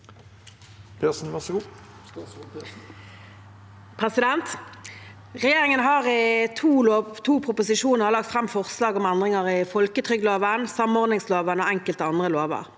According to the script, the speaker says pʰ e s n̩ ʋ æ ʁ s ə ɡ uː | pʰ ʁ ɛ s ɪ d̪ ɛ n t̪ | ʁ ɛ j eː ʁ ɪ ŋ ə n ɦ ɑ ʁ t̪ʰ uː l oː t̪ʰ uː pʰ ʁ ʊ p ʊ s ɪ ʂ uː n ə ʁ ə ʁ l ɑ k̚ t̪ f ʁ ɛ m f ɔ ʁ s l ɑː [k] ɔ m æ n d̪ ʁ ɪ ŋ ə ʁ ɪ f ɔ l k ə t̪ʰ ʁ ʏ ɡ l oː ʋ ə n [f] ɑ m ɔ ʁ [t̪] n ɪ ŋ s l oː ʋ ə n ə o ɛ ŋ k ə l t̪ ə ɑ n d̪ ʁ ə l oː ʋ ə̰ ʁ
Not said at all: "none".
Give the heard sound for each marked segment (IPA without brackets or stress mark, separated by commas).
ɡ, s, d̪